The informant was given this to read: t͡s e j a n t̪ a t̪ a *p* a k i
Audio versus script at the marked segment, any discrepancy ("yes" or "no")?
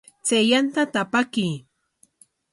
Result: no